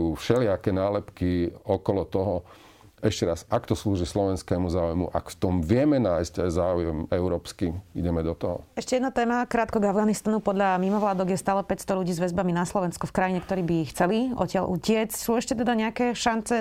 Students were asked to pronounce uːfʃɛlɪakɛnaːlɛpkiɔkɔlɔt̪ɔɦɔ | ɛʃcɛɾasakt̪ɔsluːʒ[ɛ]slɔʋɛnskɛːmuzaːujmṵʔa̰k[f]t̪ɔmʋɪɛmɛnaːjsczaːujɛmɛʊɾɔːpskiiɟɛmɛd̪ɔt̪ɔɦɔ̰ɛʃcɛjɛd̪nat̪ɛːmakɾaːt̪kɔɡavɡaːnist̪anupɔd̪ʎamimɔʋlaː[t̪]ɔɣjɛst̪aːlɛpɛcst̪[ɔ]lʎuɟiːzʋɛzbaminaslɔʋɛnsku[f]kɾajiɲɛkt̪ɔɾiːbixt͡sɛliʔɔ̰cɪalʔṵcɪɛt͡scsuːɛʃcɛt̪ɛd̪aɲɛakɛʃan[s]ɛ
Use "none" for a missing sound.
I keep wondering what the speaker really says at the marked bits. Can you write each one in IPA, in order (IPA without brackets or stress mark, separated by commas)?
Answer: i, f, d̪, ɔ, f, t͡s